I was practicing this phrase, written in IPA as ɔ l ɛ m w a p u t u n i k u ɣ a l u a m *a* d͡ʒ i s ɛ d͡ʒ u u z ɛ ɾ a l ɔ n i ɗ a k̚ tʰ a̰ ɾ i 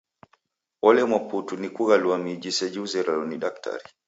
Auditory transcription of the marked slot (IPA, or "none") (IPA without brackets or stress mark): i